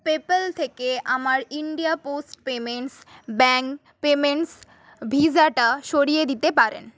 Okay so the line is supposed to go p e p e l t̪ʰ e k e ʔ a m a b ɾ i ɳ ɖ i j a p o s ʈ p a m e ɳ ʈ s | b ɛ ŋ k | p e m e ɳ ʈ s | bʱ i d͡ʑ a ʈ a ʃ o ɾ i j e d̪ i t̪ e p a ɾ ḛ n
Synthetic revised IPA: p e p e l t̪ʰ e k e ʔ a m a ɾ i ɳ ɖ i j a p o s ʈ p e m e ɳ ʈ s | b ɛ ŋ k | p e m e ɳ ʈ s | bʱ i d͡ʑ a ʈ a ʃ o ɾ i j e d̪ i t̪ e p a ɾ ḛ n